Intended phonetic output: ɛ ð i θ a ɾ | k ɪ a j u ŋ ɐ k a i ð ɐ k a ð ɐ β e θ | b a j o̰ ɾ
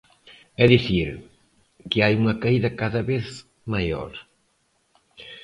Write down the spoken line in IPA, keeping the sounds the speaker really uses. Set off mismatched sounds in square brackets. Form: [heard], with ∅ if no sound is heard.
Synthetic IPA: ɛ ð i θ [i] ɾ | k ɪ a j u ŋ ɐ k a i ð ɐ k a ð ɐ β e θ | [m] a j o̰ ɾ